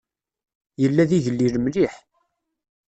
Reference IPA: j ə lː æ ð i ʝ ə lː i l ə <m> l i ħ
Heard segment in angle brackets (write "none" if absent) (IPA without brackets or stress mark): m